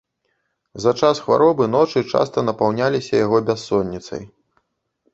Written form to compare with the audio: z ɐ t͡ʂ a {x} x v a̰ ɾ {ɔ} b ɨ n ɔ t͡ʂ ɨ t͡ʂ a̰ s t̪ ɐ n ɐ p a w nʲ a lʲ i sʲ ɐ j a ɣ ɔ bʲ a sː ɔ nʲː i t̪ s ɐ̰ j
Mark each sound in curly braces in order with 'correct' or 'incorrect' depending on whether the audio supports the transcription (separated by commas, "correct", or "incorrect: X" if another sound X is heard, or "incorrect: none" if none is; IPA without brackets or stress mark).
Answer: incorrect: s, correct